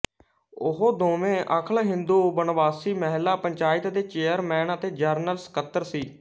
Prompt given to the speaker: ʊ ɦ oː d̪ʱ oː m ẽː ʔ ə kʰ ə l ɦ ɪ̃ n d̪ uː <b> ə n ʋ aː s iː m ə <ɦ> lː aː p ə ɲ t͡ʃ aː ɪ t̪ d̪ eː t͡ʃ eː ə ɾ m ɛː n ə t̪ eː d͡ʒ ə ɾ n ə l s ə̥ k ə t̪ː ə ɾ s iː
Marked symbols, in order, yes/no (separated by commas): yes, yes